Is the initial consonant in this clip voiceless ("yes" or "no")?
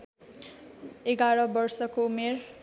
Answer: no